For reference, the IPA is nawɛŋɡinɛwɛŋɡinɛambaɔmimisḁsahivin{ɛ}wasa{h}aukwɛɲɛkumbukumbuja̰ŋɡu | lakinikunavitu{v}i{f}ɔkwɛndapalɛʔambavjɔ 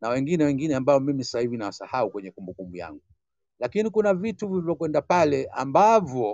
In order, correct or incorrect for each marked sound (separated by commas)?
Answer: incorrect, correct, correct, incorrect